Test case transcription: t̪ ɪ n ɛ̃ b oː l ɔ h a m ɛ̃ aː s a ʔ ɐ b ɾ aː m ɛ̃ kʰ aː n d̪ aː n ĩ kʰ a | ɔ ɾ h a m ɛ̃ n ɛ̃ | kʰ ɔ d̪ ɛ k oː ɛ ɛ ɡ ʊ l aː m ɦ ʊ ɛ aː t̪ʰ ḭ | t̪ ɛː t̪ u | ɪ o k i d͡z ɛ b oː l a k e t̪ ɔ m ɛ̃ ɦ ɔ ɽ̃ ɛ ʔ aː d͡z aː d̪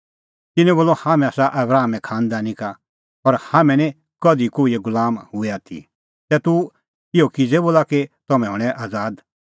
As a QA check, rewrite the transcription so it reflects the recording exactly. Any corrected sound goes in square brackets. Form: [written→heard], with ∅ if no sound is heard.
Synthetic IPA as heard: t̪ ɪ n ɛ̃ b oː l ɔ h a m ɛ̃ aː s a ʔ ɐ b ɾ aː m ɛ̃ kʰ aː n d̪ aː n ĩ [kʰ→k] a | ɔ ɾ h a m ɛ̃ n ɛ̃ | [kʰ→k] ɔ d̪ [ɛ→i] k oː [ɛ→i] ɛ ɡ ʊ l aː m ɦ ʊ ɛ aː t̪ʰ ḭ | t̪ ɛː t̪ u | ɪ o k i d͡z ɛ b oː l a k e t̪ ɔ m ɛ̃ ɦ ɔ ɽ̃ ɛ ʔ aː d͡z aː d̪